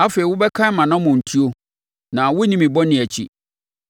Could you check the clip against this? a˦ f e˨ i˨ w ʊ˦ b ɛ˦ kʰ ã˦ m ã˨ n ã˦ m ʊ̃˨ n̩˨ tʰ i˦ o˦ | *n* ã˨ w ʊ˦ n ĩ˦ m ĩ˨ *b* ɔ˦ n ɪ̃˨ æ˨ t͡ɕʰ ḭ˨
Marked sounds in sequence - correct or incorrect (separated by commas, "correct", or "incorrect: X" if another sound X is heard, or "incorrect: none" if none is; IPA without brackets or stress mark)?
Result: correct, correct